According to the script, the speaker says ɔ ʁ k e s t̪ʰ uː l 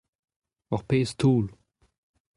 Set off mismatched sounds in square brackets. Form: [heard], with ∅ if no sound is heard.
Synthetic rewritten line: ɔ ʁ [p] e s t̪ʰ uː l

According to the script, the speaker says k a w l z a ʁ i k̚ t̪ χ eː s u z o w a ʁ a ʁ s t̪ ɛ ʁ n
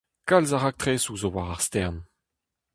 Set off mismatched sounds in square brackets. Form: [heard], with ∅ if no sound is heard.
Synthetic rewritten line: k a [∅] l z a ʁ [a] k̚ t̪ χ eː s u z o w a ʁ a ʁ s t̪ ɛ ʁ n

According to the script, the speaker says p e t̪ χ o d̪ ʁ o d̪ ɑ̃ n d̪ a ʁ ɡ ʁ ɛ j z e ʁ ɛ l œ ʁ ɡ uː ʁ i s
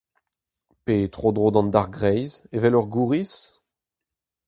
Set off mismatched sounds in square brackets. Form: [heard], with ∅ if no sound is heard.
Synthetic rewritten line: p e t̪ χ o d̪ ʁ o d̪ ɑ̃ n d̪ a ʁ ɡ ʁ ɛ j z e [v] ɛ l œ ʁ ɡ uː ʁ i s

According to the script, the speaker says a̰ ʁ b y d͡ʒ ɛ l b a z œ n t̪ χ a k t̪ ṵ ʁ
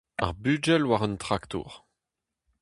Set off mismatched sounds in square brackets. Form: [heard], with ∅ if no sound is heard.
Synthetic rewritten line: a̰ ʁ b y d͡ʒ ɛ l [w] a [ʁ] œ n t̪ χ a k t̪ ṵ ʁ

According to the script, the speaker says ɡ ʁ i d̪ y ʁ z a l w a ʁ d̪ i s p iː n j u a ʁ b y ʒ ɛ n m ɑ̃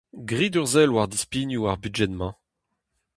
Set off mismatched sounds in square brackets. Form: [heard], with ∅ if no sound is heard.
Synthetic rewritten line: ɡ ʁ i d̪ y ʁ z [ɛ] l w a ʁ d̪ i s p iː n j u a ʁ b y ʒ ɛ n m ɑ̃

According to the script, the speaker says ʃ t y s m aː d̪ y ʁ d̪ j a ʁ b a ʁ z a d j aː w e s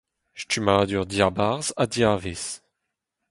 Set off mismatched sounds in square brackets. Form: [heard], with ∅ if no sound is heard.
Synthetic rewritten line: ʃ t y [∅] m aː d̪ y ʁ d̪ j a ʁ b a ʁ z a d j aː [v] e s

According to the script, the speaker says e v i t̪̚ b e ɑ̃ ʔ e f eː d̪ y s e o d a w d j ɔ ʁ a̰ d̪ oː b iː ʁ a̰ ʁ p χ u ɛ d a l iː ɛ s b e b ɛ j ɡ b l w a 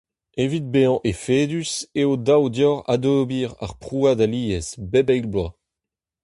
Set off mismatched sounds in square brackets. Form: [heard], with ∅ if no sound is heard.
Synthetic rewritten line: e v i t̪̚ b e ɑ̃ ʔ e f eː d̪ y s e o d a w d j ɔ ʁ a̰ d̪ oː b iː ʁ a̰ ʁ p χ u [a] d a l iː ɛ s b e b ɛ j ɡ b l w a

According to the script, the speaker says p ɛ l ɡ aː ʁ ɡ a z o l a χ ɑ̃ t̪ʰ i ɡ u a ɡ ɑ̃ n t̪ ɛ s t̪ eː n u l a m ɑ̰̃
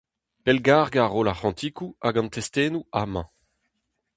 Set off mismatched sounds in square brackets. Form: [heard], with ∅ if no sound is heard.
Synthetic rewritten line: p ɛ l ɡ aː ʁ ɡ a [ʁ] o l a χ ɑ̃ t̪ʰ i [k] u a ɡ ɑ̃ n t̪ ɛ s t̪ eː n u [∅] a m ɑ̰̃

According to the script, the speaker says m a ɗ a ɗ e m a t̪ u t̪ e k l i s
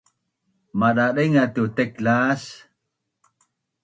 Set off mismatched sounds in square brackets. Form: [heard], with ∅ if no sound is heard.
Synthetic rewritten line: m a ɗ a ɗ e [ŋ] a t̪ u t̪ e k l [a] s

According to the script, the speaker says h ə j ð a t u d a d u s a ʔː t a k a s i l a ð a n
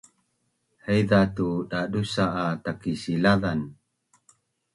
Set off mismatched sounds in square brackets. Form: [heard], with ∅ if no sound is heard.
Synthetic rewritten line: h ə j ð a t u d a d u s a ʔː t a k [i] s i l a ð a n

